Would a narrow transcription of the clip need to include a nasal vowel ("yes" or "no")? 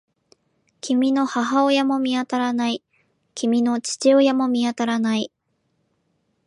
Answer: no